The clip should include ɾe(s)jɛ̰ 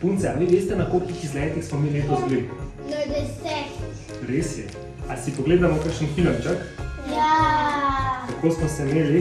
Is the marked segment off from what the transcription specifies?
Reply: no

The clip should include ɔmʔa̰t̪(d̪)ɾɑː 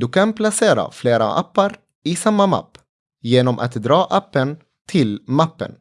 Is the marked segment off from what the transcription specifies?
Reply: no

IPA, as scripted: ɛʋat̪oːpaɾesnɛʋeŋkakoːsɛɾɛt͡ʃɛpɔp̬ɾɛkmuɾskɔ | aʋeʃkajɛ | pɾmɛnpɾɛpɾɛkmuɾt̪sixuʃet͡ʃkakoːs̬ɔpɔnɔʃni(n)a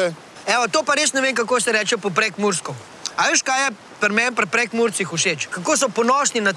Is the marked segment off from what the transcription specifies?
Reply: no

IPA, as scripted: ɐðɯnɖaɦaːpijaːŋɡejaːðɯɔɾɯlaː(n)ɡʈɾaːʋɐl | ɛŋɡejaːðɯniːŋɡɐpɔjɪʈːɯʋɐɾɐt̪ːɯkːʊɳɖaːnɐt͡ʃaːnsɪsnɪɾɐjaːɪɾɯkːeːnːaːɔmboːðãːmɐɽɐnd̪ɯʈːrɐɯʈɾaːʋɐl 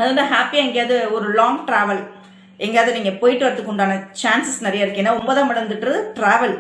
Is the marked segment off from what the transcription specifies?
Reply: yes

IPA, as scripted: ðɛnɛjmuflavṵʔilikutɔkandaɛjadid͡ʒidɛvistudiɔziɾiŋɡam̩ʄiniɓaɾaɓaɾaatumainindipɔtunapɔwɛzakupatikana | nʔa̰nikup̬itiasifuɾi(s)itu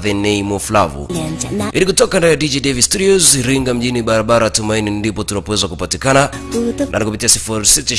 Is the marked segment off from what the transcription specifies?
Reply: no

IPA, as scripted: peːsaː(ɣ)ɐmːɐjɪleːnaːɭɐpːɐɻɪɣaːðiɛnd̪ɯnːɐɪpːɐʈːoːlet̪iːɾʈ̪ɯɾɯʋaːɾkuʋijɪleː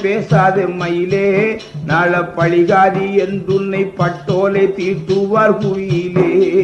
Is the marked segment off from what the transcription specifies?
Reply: yes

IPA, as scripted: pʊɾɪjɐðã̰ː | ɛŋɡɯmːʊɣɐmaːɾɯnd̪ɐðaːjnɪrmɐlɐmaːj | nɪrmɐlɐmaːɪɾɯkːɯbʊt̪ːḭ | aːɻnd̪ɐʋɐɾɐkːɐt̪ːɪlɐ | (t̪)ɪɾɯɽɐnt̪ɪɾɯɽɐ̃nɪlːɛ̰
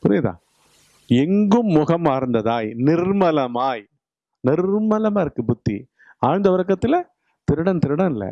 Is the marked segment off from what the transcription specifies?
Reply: no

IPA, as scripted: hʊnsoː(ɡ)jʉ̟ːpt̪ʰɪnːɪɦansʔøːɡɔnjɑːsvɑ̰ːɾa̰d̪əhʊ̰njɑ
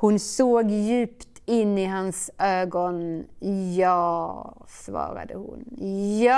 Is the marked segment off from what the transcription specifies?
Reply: no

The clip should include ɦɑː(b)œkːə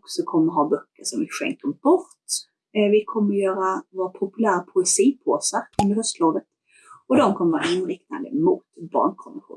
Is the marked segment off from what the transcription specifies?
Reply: no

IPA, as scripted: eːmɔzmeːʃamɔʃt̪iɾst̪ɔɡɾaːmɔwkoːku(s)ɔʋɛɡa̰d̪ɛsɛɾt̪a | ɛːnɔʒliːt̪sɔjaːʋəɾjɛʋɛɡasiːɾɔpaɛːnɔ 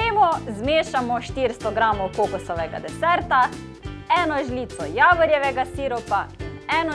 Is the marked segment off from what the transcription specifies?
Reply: no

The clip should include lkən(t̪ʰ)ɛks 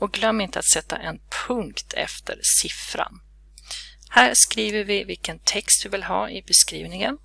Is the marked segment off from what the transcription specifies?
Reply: no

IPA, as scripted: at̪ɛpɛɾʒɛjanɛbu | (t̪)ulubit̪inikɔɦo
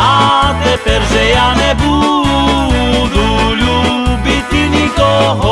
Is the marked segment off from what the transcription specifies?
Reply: yes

